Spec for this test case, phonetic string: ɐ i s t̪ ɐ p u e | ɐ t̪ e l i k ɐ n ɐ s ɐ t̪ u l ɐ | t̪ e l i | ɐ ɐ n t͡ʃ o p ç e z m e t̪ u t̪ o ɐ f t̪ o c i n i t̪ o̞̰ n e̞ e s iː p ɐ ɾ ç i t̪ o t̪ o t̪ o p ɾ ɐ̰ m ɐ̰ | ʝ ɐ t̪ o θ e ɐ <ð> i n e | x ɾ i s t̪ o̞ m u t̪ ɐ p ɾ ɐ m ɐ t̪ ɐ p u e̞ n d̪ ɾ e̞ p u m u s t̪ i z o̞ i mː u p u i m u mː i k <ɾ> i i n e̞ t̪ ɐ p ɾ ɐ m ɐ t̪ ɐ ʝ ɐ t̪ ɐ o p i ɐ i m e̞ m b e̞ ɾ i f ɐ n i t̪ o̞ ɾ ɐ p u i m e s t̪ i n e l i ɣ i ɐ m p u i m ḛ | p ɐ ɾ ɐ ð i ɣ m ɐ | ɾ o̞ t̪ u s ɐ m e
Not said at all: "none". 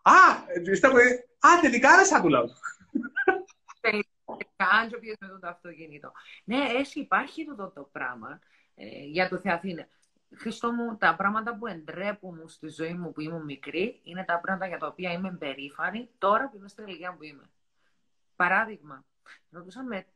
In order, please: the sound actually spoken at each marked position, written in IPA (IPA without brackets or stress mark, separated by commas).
θ, ɾ